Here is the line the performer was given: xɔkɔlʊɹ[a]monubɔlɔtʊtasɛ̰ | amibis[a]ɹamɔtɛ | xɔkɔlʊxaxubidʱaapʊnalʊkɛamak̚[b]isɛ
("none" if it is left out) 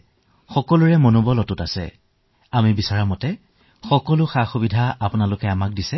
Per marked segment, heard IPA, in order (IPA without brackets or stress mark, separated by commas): ɛ, a, d